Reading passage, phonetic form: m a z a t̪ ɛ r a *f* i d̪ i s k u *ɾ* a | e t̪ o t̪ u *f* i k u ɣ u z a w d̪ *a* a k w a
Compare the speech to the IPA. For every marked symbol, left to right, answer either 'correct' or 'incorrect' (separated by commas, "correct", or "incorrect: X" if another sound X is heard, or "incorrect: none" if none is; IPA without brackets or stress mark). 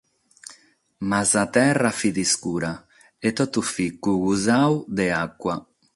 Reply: correct, correct, correct, incorrect: e